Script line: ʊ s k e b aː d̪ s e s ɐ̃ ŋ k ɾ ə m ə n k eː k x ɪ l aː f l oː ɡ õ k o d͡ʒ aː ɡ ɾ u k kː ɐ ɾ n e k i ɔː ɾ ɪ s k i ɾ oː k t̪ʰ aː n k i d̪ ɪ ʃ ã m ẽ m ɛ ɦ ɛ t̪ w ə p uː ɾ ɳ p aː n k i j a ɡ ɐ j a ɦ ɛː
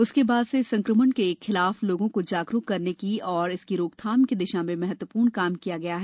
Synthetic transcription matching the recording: ʊ s k e b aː d̪ s e s ɐ̃ ŋ k ɾ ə m ə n k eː k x ɪ l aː f l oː ɡ õ k o d͡ʒ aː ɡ ɾ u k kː ɐ ɾ n e k i ɔː ɾ ɪ s k i ɾ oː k t̪ʰ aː m k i d̪ ɪ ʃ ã m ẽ m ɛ ɦ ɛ t̪ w ə p uː ɾ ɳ k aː m k i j a ɡ ɐ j a ɦ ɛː